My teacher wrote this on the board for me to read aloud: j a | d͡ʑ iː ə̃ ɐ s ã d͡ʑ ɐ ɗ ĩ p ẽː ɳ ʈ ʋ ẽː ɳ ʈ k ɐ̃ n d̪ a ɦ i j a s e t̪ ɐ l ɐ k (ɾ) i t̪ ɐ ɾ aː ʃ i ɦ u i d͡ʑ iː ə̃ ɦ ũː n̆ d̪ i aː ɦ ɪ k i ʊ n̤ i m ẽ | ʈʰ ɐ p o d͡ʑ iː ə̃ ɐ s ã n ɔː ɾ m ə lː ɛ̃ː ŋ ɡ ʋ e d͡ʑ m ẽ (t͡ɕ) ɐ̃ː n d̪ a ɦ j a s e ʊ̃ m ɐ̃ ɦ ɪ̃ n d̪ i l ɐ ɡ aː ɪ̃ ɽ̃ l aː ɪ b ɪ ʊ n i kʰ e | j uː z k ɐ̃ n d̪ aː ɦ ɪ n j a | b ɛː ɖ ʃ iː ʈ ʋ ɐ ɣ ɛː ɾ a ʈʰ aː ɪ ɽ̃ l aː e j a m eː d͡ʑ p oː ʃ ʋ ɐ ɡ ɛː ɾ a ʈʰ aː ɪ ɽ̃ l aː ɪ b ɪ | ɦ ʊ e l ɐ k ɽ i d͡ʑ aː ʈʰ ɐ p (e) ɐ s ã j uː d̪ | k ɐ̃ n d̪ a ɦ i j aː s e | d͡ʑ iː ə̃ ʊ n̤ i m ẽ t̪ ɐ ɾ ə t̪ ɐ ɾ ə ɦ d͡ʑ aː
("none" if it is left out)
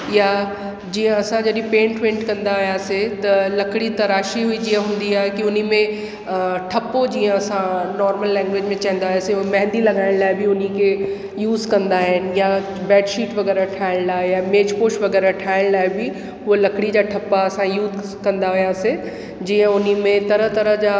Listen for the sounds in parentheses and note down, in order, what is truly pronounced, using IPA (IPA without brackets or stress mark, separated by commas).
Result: ɽ, t͡ɕ, a